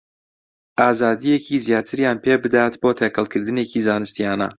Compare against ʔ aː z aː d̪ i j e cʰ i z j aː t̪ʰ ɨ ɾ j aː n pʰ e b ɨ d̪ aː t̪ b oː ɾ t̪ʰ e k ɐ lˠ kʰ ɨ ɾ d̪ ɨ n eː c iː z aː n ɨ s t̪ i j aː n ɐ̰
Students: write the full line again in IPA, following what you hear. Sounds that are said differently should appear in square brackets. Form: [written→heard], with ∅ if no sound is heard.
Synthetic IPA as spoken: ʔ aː z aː d̪ i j e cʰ i z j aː t̪ʰ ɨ ɾ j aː n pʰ e b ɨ d̪ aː t̪ b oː [ɾ→∅] t̪ʰ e k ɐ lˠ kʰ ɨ ɾ d̪ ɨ n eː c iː z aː n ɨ s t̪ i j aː n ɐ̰